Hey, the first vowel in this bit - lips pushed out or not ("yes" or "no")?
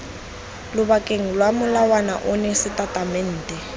yes